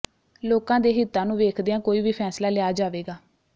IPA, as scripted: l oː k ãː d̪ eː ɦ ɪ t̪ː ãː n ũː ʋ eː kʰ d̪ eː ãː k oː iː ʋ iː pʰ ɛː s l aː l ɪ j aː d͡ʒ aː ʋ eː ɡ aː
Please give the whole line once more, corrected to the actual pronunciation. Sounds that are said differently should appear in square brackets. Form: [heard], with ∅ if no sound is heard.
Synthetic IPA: l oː k ãː d̪ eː ɦ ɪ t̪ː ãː n ũː ʋ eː kʰ d̪ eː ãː k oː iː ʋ iː pʰ ɛː s l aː l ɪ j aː d͡ʒ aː ʋ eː ɡ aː